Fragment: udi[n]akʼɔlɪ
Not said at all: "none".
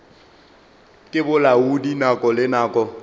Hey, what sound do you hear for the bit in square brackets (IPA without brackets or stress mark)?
n